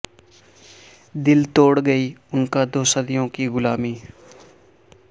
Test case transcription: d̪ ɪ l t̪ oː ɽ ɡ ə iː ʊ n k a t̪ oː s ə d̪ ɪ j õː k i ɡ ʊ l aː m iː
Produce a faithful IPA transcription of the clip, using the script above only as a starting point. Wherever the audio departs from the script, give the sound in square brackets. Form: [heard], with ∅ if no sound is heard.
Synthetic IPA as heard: d̪ ɪ l t̪ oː ɽ ɡ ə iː ʊ n k a [d̪] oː s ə d̪ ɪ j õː k i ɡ ʊ l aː m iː